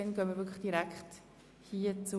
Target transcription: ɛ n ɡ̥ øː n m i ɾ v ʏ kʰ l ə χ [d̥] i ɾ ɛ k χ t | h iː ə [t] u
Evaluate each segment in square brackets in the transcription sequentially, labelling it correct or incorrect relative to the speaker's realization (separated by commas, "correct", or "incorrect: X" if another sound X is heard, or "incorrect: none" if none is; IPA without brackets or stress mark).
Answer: correct, incorrect: t͡s